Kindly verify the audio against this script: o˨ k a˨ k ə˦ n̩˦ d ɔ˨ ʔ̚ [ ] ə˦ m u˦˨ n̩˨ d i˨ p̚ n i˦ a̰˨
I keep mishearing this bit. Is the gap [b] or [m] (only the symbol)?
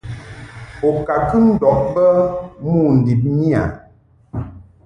b